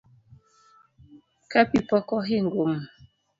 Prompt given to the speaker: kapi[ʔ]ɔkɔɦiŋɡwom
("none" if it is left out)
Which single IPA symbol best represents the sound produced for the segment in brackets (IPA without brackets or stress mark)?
p